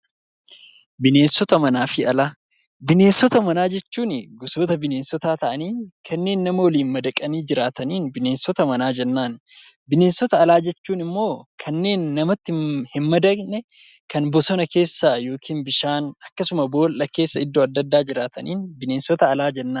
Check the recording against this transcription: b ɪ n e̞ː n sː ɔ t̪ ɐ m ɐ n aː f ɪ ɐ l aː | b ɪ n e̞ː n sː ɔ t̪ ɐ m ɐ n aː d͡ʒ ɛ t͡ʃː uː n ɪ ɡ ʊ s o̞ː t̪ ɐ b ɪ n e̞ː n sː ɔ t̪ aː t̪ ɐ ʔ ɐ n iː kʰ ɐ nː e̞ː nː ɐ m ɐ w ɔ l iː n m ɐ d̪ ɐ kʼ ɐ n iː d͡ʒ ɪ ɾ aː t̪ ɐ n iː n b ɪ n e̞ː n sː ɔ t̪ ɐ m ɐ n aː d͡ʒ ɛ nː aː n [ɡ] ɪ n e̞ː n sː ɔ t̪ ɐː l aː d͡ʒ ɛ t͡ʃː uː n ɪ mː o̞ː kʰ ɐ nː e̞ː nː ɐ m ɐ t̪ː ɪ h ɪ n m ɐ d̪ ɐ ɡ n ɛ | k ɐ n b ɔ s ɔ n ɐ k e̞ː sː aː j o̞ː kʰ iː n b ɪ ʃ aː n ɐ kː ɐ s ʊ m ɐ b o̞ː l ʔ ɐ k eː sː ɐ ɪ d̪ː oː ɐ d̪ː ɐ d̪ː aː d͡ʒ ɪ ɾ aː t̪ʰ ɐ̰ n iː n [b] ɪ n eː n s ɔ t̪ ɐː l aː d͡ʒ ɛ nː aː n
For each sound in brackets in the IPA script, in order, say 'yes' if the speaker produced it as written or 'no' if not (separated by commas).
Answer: no, yes